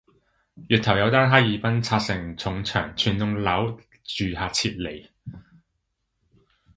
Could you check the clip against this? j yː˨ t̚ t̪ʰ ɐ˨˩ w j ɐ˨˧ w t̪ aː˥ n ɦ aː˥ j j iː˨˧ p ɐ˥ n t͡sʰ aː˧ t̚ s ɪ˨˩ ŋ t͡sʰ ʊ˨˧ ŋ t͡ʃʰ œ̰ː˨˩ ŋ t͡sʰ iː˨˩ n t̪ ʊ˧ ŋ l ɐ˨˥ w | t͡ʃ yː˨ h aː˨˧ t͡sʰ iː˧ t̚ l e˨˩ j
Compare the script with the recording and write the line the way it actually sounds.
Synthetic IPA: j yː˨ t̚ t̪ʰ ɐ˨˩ w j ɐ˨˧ w t̪ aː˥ n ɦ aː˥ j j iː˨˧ p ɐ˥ n t͡sʰ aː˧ t̚ s ɪ˨˩ ŋ t͡sʰ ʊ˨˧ ŋ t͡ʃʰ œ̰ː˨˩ ŋ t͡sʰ yː˨˩ n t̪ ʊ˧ ŋ l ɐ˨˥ w | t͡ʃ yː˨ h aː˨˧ t͡sʰ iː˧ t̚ l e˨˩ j